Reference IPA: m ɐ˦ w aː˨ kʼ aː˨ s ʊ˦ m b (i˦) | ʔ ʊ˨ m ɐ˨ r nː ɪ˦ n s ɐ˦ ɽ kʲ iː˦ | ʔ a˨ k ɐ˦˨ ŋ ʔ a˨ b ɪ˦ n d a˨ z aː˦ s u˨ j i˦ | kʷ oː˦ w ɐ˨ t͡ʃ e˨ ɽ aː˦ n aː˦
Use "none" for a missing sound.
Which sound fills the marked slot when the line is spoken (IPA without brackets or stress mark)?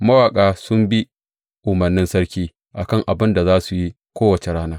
i˦